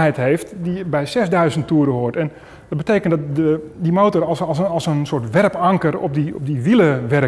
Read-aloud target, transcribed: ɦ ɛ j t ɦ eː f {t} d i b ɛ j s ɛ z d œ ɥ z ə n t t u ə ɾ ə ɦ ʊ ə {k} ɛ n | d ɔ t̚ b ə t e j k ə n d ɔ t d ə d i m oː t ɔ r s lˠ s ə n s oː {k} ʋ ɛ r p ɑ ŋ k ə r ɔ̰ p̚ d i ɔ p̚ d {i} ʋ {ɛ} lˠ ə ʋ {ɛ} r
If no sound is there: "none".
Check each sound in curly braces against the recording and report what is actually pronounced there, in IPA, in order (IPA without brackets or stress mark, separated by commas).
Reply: t, t, t, i, i, ɛ